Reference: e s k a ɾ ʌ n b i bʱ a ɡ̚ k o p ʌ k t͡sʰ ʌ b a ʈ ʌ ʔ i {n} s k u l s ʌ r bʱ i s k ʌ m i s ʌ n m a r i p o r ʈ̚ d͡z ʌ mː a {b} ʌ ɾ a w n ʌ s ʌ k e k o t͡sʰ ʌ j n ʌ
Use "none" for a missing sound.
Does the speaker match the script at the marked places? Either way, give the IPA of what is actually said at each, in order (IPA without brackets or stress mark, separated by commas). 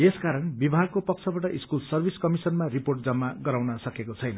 none, ɡ